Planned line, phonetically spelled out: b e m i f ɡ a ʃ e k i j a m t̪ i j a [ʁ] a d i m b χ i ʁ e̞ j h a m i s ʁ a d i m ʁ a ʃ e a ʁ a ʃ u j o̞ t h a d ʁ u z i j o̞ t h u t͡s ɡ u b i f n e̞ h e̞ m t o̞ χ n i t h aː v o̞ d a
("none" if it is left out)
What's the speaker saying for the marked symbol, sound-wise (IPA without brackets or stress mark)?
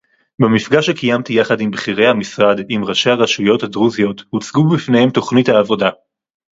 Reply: χ